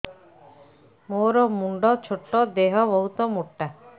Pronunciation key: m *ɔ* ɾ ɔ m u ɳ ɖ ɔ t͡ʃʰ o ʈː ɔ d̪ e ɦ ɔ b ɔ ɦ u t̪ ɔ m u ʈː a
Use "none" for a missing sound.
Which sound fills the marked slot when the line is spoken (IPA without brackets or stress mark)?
o